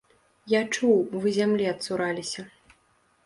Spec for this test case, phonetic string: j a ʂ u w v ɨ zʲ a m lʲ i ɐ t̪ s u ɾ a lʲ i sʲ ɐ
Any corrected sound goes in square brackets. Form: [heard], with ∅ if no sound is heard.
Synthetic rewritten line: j a [t͡ʂ] u w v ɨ zʲ a m lʲ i ɐ t̪ s u ɾ a lʲ i sʲ ɐ